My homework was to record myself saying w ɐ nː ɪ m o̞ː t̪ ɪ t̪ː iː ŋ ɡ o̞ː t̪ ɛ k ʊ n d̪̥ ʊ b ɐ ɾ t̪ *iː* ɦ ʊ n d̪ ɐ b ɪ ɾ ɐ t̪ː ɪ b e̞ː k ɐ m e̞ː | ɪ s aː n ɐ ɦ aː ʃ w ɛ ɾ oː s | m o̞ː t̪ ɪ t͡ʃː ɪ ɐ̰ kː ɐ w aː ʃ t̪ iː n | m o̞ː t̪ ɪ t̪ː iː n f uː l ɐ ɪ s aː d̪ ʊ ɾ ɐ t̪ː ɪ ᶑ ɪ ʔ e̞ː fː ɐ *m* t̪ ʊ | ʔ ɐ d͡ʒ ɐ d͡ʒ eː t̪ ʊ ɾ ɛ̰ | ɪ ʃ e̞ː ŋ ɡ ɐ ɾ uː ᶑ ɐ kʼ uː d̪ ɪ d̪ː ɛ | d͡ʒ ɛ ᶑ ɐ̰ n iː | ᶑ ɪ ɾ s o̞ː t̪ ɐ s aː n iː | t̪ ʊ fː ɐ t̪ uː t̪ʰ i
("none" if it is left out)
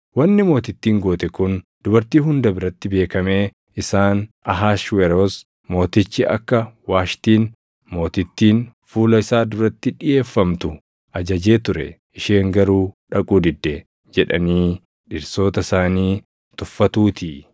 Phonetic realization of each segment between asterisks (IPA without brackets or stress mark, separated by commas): iː, m